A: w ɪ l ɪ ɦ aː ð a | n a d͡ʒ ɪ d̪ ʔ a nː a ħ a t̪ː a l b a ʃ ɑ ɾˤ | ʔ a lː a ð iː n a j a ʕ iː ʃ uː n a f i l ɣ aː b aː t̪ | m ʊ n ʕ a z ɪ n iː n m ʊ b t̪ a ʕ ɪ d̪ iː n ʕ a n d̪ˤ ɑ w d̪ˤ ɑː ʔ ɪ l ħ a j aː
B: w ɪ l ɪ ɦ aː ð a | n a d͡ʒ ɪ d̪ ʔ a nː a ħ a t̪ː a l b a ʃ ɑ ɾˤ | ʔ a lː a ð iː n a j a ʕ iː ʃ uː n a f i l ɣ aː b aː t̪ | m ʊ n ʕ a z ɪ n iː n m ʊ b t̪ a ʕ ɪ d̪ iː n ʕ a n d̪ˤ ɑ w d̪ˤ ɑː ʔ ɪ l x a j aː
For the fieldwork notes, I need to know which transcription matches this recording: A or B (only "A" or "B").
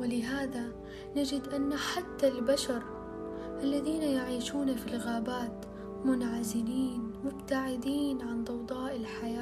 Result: A